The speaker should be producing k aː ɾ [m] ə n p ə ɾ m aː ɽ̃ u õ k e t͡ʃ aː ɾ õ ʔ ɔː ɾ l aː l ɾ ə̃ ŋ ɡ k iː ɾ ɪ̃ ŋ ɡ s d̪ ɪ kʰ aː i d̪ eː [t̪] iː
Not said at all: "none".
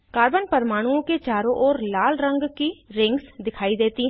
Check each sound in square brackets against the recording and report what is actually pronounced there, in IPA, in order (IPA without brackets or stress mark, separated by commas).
b, t̪